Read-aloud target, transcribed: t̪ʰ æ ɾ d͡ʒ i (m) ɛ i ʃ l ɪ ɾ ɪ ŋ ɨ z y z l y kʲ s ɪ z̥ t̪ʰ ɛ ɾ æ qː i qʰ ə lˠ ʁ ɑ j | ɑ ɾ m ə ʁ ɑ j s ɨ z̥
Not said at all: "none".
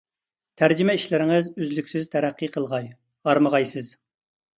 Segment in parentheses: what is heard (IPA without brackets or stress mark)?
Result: m